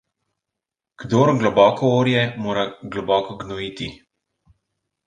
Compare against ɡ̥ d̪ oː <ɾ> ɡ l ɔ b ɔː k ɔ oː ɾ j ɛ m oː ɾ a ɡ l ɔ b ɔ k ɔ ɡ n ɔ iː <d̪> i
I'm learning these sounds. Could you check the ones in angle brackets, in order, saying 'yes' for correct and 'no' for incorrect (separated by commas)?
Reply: yes, no